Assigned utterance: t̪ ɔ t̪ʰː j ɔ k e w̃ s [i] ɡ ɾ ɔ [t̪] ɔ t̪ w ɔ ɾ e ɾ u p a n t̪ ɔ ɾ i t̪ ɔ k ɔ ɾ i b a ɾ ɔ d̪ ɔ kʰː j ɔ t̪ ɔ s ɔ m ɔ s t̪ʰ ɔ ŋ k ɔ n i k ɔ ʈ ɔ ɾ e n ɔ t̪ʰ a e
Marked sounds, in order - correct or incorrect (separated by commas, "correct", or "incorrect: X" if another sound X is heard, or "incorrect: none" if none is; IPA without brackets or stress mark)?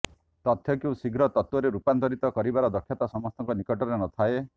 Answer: correct, correct